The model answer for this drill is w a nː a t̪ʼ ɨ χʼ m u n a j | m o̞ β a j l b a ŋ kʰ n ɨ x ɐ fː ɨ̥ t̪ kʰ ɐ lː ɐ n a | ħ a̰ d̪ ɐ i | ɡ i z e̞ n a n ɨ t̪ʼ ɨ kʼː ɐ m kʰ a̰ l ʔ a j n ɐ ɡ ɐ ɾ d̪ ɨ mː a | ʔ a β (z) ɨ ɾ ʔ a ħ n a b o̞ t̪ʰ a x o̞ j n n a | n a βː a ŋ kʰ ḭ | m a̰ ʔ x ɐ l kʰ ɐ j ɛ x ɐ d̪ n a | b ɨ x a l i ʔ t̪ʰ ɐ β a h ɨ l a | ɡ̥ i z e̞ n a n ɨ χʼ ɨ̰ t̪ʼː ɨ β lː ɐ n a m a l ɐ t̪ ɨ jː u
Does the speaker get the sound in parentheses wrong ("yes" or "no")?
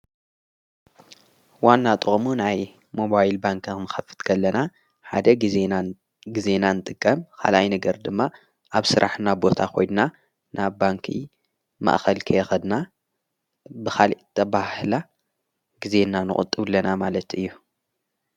yes